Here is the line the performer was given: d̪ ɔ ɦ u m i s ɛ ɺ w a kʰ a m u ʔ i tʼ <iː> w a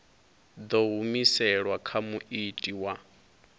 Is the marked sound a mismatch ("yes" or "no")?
yes